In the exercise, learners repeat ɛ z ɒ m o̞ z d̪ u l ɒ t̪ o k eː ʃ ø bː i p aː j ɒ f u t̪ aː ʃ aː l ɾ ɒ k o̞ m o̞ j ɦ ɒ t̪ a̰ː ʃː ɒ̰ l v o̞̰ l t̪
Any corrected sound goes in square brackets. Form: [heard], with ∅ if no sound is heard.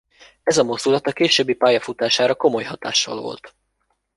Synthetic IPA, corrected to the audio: ɛ z ɒ m o̞ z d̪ u l ɒ t̪ [ɒ] k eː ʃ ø bː i p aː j ɒ f u t̪ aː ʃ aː [∅] ɾ ɒ k o̞ m o̞ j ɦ ɒ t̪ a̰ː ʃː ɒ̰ l v o̞̰ l t̪